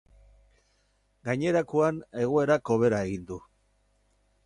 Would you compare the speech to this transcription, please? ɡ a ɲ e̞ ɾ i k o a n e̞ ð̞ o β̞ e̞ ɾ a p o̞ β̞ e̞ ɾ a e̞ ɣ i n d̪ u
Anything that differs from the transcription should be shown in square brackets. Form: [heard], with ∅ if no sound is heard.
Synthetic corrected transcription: ɡ a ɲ e̞ ɾ [a] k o a n e̞ [ɣ̞] o [∅] e̞ ɾ a [k] o̞ β̞ e̞ ɾ a e̞ ɣ i n d̪ u